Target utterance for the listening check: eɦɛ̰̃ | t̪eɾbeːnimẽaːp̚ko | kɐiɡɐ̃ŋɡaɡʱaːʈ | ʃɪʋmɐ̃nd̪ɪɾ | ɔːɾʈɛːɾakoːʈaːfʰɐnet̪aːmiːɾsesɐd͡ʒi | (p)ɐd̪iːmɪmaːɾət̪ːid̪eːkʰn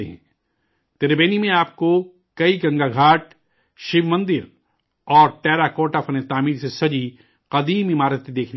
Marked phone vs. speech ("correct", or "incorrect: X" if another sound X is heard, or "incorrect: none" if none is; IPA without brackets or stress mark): incorrect: q